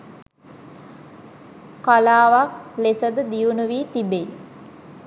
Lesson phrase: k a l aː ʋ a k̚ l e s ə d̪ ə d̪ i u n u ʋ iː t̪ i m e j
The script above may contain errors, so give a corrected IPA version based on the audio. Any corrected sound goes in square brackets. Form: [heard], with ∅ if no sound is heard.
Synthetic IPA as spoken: k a l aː ʋ a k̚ l e s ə d̪ ə d̪ i u n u ʋ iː t̪ i [b] e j